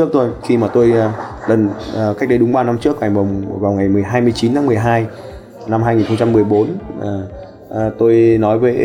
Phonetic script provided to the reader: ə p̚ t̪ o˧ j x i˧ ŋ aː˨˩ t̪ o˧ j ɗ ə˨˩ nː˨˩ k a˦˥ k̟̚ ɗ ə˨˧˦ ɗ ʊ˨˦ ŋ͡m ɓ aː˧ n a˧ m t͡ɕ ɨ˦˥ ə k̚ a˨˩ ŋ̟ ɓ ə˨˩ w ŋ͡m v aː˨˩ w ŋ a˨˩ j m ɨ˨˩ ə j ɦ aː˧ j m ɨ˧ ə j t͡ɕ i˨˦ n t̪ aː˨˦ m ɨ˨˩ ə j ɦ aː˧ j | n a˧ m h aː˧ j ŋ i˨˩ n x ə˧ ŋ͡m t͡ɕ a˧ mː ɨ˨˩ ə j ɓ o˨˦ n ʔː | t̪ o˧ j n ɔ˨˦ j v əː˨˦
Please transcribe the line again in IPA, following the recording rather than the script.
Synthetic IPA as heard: ə k̚ t̪ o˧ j x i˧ m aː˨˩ t̪ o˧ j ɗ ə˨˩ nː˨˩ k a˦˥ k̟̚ ɗ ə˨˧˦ ɗ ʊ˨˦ ŋ͡m ɓ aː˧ n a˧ m t͡ɕ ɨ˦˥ ə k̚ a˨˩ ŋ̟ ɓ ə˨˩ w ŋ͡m v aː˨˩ w ŋ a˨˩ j m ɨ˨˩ ə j ɦ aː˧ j m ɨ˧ ə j t͡ɕ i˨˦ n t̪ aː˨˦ m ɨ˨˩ ə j ɦ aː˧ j | n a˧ m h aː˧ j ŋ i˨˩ n x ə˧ ŋ͡m t͡ɕ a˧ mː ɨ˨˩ ə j ɓ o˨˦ n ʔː | t̪ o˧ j n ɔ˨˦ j v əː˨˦